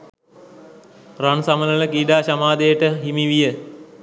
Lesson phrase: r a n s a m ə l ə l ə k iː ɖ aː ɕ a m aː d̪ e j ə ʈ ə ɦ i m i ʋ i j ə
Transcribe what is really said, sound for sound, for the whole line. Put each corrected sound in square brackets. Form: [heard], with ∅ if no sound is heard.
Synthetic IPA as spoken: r a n s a m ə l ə l ə k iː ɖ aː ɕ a m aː d̪ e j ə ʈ ə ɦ i m i ʋ i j ə

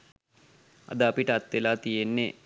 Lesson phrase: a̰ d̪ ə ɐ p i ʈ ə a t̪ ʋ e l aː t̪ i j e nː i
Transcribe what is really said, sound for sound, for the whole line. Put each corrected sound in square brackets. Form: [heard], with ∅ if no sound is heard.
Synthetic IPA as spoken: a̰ d̪ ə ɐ p i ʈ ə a t̪ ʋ e l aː t̪ i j e nː [e]

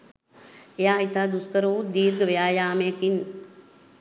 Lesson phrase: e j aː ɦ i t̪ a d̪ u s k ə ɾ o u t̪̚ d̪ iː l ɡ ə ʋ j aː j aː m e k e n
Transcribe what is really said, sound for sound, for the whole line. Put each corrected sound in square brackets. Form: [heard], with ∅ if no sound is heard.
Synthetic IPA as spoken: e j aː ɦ i t̪ a d̪ u s k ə ɾ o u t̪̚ d̪ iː [ɾ] ɡ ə ʋ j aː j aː m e k [i] n

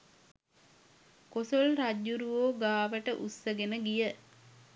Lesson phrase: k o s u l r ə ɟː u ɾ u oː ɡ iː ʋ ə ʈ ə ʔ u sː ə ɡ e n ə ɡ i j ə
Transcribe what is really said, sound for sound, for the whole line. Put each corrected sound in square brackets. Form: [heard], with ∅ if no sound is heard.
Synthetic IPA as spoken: k o s [o] l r [a] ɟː u ɾ u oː ɡ [aː] ʋ ə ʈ ə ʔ u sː ə ɡ e n ə ɡ i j ə

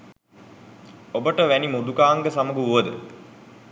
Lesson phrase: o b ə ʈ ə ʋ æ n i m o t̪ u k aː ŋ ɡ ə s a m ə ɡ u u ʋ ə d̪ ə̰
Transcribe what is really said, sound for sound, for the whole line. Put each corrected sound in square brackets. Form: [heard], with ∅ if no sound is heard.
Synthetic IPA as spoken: o b ə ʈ ə ʋ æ n i m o [d̪] u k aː ŋ ɡ ə s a m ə ɡ u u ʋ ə d̪ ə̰

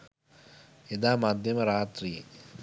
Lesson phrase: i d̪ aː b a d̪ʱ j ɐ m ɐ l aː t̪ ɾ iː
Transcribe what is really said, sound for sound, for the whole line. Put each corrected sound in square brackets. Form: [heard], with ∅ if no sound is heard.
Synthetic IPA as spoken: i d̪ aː [m] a d̪ʱ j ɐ m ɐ [ɾ] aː t̪ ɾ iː

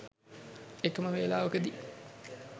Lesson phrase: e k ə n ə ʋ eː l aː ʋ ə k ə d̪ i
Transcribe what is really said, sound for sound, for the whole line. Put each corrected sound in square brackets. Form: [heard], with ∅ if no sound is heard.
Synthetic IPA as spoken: e k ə [m] ə ʋ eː l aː ʋ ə k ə d̪ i

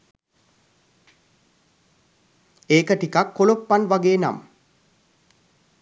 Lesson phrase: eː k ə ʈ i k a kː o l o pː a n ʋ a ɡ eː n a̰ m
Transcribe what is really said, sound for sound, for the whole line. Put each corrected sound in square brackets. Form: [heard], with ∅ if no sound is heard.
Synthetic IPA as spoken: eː k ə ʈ i k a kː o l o pː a n ʋ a ɡ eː n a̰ m

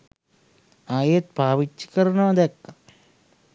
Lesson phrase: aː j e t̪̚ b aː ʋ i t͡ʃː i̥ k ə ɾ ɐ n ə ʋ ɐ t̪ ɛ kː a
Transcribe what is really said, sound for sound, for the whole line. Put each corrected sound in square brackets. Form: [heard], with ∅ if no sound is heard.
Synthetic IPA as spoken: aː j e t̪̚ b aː ʋ i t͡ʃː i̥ k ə ɾ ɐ n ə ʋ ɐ [d̪] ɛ kː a

